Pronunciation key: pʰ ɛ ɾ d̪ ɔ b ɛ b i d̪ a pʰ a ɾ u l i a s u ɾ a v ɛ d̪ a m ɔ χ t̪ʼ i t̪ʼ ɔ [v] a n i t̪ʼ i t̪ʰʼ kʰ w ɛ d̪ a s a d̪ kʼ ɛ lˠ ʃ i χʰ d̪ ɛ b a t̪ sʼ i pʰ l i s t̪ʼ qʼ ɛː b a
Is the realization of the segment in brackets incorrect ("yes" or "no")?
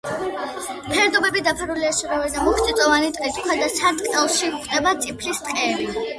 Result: no